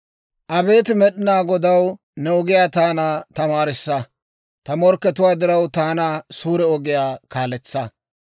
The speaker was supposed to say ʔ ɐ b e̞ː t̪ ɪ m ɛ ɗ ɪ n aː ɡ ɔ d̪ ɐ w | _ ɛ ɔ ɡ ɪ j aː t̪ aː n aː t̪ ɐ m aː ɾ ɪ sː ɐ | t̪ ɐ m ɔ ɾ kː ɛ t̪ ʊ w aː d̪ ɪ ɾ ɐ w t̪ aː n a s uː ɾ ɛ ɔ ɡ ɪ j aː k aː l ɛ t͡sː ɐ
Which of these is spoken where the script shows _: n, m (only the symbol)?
n